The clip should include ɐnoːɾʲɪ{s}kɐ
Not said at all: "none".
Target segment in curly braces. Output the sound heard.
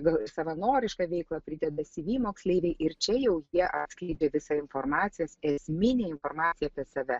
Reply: ʃ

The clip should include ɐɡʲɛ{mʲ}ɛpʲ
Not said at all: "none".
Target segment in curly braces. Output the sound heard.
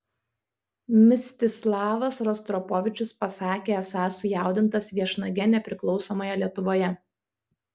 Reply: nʲ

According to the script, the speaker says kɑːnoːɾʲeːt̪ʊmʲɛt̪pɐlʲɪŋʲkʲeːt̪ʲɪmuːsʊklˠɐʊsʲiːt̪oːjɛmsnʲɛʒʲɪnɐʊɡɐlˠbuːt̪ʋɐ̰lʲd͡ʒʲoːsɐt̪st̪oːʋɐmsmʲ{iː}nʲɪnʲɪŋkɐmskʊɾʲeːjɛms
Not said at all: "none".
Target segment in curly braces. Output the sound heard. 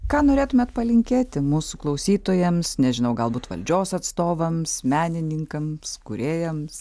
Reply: æː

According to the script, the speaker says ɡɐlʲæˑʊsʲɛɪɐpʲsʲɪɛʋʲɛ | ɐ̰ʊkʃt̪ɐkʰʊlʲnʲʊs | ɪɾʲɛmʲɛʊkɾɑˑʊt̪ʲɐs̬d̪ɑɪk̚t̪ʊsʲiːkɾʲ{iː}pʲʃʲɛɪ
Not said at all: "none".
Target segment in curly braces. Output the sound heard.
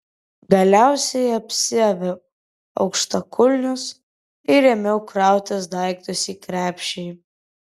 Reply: æː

